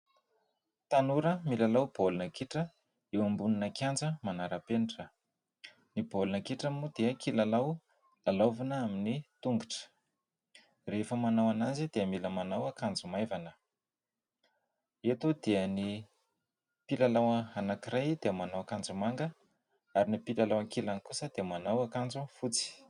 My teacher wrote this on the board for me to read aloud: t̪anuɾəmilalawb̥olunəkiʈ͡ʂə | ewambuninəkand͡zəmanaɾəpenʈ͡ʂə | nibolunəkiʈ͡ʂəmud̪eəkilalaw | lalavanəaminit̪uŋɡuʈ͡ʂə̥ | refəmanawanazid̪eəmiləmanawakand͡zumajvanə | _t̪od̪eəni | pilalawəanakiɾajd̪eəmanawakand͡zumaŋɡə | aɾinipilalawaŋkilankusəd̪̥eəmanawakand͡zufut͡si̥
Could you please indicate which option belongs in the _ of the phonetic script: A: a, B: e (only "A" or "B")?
B